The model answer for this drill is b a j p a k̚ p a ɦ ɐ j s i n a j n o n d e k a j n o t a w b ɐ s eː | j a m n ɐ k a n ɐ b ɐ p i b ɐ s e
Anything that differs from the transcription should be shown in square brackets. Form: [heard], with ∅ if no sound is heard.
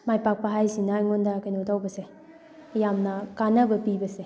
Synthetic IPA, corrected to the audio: [m] a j p a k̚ p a ɦ [a] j s i n a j [ŋ] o n d [a] k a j n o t a w b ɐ s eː | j a m n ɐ k a n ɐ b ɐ p i b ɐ s e